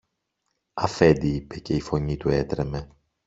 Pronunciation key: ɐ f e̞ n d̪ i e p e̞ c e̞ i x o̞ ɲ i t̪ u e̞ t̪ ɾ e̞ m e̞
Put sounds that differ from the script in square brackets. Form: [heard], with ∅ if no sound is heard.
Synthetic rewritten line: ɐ f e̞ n d̪ i [i] p e̞ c e̞ i [f] o̞ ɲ i t̪ u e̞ t̪ ɾ e̞ m e̞